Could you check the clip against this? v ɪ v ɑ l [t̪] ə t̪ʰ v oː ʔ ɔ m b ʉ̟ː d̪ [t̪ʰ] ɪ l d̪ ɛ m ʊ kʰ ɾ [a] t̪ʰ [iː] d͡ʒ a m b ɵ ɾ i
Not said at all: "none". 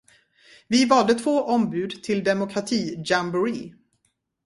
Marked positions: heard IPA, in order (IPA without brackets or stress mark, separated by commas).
d̪, t̪ʰ, a, iː